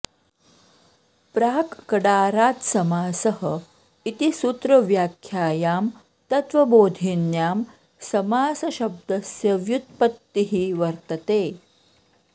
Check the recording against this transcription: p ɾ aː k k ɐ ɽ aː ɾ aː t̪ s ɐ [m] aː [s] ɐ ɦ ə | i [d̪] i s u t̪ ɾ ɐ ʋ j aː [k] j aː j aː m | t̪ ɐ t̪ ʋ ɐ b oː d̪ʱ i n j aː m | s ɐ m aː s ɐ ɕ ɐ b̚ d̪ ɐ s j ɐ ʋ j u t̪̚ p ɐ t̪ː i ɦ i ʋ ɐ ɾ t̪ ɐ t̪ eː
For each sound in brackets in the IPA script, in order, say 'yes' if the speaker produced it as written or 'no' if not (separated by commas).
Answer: yes, yes, no, no